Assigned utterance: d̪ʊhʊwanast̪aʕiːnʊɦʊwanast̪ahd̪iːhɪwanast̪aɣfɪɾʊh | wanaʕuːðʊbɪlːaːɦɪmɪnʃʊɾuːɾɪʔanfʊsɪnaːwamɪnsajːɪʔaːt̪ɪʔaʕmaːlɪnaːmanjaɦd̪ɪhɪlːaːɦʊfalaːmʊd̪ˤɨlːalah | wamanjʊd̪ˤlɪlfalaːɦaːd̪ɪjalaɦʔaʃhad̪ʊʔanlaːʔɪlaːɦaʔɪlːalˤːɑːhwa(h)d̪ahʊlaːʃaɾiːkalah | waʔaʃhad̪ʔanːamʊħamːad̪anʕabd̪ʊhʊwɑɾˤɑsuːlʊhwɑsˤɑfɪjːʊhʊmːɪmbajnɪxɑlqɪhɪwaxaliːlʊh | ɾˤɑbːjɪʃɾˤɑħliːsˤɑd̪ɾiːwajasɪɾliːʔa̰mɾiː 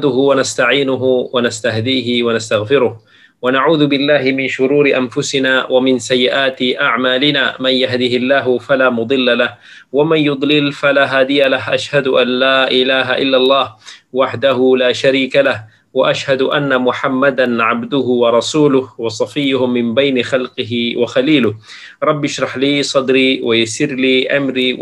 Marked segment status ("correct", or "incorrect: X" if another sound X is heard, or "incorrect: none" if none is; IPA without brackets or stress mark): incorrect: ħ